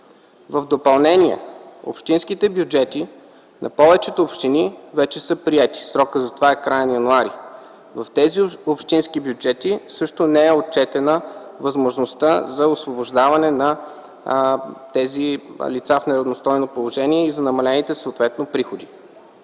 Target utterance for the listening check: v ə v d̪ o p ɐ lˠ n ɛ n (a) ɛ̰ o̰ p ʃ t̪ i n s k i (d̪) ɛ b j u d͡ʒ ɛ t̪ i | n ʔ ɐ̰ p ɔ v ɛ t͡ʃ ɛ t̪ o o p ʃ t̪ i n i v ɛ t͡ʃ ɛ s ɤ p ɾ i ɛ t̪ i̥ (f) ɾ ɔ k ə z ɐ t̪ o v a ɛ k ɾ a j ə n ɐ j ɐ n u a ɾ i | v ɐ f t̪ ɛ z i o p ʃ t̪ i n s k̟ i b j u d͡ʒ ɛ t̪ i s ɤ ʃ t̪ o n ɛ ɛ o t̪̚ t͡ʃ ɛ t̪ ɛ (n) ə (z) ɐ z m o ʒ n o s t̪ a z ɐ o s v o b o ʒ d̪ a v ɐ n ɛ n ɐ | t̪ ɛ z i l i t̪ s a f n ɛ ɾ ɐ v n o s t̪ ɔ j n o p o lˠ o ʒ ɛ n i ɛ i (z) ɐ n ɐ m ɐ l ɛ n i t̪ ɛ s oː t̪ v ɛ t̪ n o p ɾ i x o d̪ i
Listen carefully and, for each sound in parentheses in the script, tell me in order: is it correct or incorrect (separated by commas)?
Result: incorrect, incorrect, incorrect, correct, incorrect, correct